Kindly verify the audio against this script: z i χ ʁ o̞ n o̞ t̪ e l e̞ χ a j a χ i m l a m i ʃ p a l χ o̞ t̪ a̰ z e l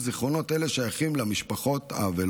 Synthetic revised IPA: z i χ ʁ o̞ n o̞ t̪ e l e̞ ʃ a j a χ i m l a m i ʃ p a χ o̞ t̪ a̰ v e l

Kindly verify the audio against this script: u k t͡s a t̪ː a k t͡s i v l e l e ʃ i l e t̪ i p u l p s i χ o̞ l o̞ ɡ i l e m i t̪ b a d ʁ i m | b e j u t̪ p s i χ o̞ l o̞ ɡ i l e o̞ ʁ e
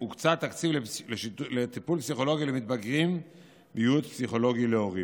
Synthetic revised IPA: u k t͡s a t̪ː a k t͡s i v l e l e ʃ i l e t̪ i p u l p s i χ o̞ l o̞ ɡ i l e m i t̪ b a ɡ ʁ i m | b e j u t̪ p s i χ o̞ l o̞ ɡ i l e o̞ ʁ i

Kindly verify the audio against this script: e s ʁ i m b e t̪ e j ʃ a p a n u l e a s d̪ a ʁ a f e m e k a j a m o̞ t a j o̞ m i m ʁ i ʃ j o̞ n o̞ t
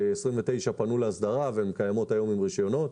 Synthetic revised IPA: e s ʁ i m v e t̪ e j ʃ a p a n u l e a s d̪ a ʁ a v e m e k a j a m o̞ t a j o̞ m i m ʁ i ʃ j o̞ n o̞ t

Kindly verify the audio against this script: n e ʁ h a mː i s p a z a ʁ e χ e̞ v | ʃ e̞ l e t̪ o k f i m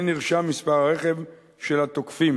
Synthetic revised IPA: n i ʁ ʃ a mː i s p a ʁ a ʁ e χ e̞ v | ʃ e̞ l a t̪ o k f i m

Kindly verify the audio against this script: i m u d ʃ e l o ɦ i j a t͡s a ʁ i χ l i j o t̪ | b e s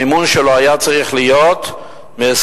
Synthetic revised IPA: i m u n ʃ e l o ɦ a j a t͡s a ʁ i χ l i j o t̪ | m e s

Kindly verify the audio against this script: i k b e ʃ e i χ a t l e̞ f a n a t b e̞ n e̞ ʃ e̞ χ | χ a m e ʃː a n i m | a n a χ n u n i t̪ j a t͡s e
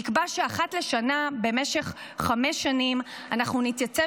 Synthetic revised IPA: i k b a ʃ e a χ a t l e̞ ʃ a n a b e̞ m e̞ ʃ e̞ χ | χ a m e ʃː a n i m | a n a χ n u n i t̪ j a t͡s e

